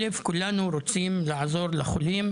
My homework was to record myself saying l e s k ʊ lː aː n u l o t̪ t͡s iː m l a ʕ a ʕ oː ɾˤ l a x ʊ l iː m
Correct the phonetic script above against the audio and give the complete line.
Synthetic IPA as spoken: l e f k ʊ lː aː n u ɾ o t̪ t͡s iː m l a ʕ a z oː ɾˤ l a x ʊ l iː m